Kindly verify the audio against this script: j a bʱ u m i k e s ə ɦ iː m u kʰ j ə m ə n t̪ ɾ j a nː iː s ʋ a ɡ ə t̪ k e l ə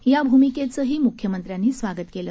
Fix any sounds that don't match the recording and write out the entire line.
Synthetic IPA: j a bʱ u m i k e t͡s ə ɦ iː m u kʰ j ə m ə n t̪ ɾ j a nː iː s ʋ a ɡ ə t̪ k e l ə